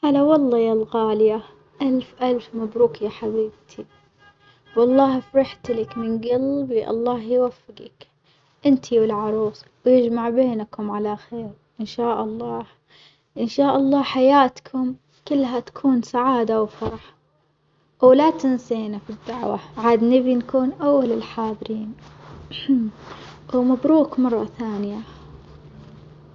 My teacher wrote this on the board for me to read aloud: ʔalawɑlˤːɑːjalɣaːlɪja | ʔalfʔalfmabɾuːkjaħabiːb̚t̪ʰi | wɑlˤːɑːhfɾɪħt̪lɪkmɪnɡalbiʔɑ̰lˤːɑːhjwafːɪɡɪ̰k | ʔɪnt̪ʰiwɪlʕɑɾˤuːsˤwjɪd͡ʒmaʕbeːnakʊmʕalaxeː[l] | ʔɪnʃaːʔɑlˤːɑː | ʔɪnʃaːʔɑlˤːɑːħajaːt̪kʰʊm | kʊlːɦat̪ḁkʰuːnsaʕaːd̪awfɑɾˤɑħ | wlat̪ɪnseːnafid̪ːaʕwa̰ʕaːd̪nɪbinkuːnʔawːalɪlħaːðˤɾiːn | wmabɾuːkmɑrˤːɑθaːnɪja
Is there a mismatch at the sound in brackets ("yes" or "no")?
yes